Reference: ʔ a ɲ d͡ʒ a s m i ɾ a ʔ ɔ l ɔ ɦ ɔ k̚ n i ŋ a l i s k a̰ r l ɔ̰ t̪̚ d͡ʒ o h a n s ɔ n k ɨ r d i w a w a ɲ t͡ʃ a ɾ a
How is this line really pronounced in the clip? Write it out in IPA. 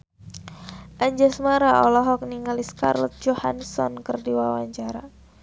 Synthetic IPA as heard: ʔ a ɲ d͡ʒ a s m a ɾ a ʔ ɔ l ɔ ɦ ɔ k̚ n i ŋ a l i s k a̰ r l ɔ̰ t̪̚ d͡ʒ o h a n s ɔ n k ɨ r d i w a w a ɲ t͡ʃ a ɾ a